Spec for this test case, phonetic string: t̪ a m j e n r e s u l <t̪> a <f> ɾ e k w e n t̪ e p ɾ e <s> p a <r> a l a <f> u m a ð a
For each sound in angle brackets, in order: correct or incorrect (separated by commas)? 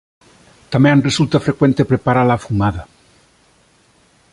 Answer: correct, correct, incorrect, incorrect, correct